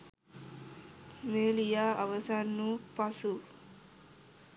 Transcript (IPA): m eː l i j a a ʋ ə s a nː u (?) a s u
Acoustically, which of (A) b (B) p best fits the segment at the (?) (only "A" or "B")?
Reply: B